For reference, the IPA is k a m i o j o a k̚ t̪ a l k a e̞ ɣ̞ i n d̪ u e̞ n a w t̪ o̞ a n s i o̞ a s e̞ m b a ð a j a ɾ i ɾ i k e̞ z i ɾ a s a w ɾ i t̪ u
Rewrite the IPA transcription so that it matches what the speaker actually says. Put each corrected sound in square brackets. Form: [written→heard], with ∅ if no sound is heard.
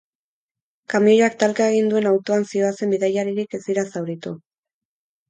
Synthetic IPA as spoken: k a m i o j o a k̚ t̪ a l k a e̞ ɣ̞ i n d̪ u e̞ n a w t̪ o̞ a n s i o̞ a s e̞ m b [a→i] ð a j a ɾ i ɾ i k e̞ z i ɾ a s a w ɾ i t̪ u